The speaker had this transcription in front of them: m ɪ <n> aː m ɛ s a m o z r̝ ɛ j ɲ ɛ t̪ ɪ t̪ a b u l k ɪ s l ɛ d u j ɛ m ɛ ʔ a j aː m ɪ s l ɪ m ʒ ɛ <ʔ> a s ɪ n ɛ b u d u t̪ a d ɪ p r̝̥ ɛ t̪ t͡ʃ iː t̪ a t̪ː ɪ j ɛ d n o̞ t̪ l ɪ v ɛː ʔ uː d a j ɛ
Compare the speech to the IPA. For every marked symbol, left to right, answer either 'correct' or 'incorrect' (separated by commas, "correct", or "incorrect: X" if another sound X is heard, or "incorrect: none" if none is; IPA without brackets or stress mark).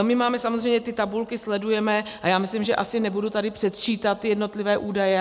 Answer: incorrect: m, correct